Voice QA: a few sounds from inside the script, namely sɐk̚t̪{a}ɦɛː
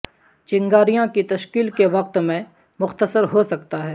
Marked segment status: correct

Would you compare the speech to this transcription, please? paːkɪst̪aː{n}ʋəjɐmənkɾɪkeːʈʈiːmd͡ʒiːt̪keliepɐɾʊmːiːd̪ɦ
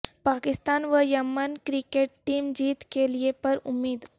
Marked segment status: correct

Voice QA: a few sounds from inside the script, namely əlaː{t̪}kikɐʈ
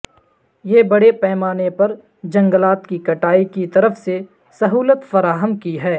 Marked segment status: correct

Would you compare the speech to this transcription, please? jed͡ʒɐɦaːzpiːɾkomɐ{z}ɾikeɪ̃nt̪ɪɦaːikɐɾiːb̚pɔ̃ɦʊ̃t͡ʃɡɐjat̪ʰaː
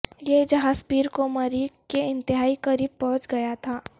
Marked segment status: incorrect: none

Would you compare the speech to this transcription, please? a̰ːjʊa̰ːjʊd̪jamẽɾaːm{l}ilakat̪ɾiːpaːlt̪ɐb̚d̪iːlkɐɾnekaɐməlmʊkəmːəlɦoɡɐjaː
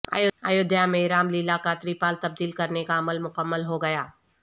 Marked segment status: correct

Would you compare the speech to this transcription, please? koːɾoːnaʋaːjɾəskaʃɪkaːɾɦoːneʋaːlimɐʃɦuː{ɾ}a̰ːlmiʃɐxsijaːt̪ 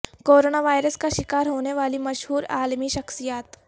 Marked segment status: correct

